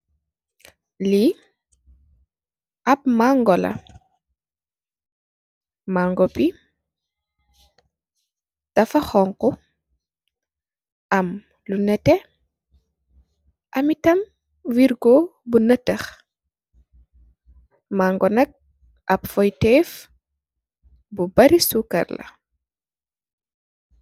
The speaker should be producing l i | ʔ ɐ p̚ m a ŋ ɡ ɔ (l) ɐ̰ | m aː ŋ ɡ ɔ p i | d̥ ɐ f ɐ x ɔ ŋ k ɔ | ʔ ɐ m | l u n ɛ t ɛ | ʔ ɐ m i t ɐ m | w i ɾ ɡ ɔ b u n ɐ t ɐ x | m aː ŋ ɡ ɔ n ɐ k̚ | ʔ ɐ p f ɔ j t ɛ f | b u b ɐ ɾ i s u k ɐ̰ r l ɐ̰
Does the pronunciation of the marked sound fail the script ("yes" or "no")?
no